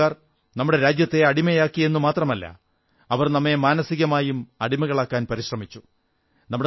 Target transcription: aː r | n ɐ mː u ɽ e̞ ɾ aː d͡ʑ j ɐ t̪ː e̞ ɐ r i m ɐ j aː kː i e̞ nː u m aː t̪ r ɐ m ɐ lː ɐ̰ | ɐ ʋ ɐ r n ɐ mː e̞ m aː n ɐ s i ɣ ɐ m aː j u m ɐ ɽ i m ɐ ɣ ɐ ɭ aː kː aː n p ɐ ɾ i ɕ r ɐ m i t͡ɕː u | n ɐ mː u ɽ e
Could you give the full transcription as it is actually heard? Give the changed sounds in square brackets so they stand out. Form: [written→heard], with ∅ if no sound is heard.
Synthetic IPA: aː r | n ɐ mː u ɽ e̞ ɾ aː d͡ʑ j ɐ t̪ː e̞ ɐ [r→ɽ] i m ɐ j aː kː i e̞ nː u m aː t̪ r ɐ m ɐ lː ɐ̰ | ɐ ʋ ɐ r n ɐ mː e̞ m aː n ɐ s i ɣ ɐ m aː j u m ɐ ɽ i m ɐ ɣ ɐ ɭ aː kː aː n p ɐ ɾ i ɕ r ɐ m i t͡ɕː u | n ɐ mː u ɽ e